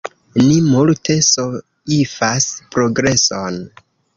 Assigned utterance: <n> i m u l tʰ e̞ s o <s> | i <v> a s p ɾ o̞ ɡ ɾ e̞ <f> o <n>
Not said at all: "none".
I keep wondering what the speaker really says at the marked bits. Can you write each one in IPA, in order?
n, none, f, s, n

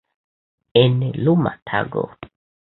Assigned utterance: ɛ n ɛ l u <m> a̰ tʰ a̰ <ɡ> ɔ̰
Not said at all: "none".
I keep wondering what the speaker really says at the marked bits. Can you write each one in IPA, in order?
m, ɡ

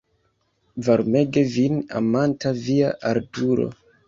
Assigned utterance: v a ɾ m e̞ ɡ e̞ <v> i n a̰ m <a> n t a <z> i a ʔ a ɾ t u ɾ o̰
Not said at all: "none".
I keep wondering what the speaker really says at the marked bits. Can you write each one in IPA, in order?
v, a, v

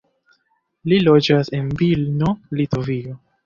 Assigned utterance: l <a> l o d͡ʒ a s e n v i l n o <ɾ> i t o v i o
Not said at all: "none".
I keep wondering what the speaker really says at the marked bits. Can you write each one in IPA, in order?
i, l

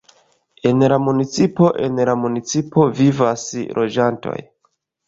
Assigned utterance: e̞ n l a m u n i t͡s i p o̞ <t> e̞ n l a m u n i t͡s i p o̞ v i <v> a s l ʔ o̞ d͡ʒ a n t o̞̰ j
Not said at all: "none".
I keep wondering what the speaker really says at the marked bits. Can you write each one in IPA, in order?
ʔ, v

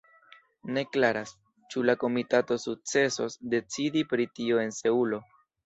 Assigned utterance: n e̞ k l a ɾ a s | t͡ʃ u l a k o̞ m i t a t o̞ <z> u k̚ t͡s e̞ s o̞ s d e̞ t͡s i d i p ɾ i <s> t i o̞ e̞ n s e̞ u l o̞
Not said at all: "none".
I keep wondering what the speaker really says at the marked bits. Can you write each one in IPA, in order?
s, none

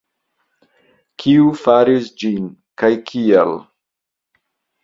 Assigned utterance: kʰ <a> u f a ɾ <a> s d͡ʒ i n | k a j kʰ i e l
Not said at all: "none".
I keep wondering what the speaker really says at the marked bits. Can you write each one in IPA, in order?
i, i

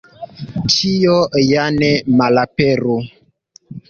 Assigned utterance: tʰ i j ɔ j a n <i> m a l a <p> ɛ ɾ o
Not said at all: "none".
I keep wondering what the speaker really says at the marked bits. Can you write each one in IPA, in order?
ɛ, p

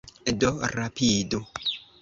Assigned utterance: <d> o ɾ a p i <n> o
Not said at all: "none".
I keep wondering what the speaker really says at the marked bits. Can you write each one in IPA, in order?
d, d

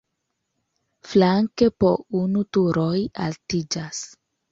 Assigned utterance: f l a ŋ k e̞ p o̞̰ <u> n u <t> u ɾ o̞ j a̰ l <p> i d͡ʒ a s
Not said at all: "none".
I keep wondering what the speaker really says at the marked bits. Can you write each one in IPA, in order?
u, t, t

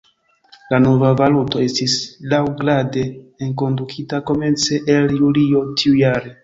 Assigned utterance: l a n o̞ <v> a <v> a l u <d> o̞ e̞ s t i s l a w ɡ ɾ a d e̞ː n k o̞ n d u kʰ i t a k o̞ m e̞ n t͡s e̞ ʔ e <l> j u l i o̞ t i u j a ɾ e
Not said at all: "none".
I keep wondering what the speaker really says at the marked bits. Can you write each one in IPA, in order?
v, v, t, l

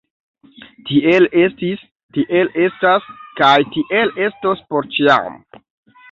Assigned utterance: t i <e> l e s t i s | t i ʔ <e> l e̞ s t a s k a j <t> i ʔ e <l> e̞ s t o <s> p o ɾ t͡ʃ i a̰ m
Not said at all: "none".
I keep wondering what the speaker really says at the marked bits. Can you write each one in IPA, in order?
e, e, t, l, s

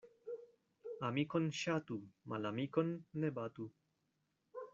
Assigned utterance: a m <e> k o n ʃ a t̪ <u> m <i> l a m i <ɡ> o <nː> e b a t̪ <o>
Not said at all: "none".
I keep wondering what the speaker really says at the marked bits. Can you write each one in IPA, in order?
i, u, a, k, nː, u

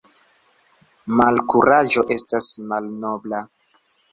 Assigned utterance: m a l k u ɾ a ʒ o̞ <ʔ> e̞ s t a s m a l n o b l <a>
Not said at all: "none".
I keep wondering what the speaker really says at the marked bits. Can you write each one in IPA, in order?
ʔ, a

